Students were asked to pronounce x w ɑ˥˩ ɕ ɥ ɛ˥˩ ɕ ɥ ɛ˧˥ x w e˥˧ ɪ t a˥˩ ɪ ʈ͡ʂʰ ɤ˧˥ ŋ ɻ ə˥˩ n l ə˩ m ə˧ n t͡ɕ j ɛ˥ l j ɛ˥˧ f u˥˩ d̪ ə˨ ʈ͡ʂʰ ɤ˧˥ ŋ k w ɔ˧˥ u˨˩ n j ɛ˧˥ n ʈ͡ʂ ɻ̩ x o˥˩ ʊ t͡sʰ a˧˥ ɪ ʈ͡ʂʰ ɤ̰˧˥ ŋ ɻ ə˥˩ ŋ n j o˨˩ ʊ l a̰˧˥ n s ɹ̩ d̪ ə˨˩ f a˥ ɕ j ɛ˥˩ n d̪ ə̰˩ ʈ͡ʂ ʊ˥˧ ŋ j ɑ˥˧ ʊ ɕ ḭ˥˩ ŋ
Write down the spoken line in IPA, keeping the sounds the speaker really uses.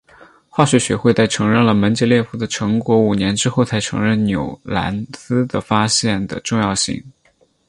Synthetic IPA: x w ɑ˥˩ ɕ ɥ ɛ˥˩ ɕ ɥ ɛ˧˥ x w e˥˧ ɪ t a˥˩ ɪ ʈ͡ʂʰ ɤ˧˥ ŋ ɻ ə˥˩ n l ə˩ m ə˧˥ n t͡ɕ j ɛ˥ l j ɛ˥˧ f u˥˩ d̪ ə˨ ʈ͡ʂʰ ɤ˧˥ ŋ k w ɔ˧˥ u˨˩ n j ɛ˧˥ n ʈ͡ʂ ɻ̩ x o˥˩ ʊ t͡sʰ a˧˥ ɪ ʈ͡ʂʰ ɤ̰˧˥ ŋ ɻ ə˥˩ n n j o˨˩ ʊ l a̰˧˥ n s ɹ̩ d̪ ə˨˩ f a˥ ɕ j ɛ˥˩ n d̪ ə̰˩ ʈ͡ʂ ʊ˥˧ ŋ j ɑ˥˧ ʊ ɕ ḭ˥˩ ŋ